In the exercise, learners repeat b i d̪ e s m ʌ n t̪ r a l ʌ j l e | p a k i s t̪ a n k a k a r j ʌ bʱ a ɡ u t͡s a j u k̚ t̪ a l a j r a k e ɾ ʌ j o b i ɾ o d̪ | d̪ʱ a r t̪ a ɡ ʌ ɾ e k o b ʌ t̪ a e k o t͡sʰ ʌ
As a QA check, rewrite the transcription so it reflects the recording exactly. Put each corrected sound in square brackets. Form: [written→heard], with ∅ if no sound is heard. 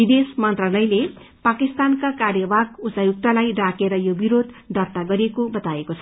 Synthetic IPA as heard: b i d̪ e s m ʌ n t̪ r a l ʌ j l e | p a k i s t̪ a n k a k a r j ʌ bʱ a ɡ u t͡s a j u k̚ t̪ a l a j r a k e ɾ ʌ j o b i ɾ o d̪ | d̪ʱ [a→ʌ] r t̪ a ɡ ʌ ɾ e k o b ʌ t̪ a e k o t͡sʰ ʌ